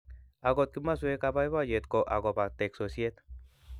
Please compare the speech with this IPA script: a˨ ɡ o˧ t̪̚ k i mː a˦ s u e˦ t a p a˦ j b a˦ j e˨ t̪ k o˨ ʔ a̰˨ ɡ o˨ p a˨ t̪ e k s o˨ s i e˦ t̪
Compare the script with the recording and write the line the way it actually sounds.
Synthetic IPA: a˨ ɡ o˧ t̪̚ k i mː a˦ s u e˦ k a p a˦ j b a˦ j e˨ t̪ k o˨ ʔ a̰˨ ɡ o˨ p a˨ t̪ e k s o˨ s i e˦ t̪